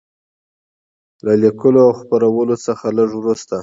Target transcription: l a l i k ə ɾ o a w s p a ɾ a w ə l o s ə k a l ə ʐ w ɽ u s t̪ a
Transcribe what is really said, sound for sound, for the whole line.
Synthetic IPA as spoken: l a l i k ə l o a w x p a ɾ a w ə l o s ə x a l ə ʐ w ɾ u s t̪ a